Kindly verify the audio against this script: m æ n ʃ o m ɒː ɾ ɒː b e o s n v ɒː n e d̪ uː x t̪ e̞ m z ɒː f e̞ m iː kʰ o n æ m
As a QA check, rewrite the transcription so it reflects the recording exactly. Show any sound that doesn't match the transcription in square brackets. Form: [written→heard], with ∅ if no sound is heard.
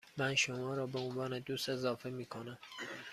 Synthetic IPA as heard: m æ n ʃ o m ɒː ɾ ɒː b e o [s→∅] n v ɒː n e d̪ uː [x→s] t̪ e̞ [m→∅] z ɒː f e̞ m iː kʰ o n æ m